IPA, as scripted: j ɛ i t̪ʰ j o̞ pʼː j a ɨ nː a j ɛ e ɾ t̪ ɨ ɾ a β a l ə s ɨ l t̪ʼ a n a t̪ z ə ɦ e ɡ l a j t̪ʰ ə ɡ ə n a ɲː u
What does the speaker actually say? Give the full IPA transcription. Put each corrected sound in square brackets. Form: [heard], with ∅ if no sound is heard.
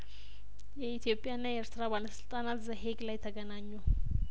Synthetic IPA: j ɛ i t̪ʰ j o̞ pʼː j a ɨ nː a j ɛ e ɾ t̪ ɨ ɾ a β a l ə s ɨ l t̪ʼ a n a t̪ z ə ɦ e ɡ l a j t̪ʰ ə ɡ ə n a ɲː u